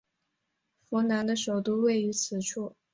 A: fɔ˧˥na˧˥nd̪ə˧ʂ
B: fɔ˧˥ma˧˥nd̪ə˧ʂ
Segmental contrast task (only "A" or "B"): A